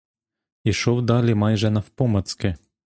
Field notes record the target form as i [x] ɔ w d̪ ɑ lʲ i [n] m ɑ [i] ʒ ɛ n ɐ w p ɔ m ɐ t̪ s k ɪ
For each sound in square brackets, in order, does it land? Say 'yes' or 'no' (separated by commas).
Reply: no, no, no